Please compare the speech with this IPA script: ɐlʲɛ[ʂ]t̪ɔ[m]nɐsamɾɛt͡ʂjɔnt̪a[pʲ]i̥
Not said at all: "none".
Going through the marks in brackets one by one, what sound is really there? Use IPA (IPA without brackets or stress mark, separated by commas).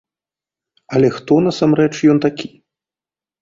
x, none, kʲ